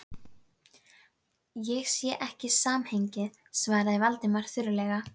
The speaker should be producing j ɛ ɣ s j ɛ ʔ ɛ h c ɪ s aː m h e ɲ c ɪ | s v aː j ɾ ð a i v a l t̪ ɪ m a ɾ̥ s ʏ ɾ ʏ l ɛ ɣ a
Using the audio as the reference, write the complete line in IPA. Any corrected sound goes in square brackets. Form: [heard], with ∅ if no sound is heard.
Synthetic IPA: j ɛ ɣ s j ɛ ʔ ɛ h c ɪ s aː m h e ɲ c ɪ | s v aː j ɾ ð a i v a l t̪ ɪ m a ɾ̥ [θ] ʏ ɾ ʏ l ɛ ɣ a